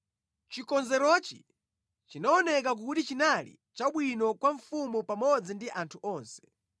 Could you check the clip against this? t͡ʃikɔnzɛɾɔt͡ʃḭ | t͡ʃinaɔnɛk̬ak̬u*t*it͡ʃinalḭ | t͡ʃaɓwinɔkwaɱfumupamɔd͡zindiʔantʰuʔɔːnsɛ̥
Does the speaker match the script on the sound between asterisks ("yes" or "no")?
yes